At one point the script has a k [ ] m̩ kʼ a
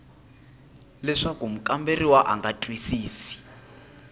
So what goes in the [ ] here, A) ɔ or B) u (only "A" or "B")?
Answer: B